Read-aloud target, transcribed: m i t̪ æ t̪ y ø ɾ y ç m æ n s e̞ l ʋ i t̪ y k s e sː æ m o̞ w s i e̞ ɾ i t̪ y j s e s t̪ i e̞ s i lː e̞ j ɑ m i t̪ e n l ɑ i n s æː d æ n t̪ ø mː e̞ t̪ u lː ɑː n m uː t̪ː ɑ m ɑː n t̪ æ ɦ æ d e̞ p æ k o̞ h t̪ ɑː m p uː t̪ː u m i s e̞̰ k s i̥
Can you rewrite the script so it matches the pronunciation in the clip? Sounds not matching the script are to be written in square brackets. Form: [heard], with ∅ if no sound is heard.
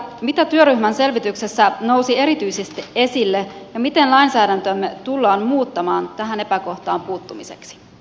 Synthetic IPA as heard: m i t̪ æ t̪ y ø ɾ y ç m æ n s e̞ l ʋ i t̪ y k s e sː æ [n] o̞ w s i e̞ ɾ i t̪ y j s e s t̪ i e̞ s i lː e̞ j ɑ m i t̪ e n l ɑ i n s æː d æ n t̪ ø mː e̞ t̪ u lː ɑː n m uː t̪ː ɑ m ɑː n t̪ æ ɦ æ [n] e̞ p æ k o̞ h t̪ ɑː m p uː t̪ː u m i s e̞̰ k s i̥